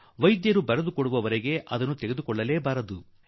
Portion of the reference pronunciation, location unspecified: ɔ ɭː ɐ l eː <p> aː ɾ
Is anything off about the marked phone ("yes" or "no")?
yes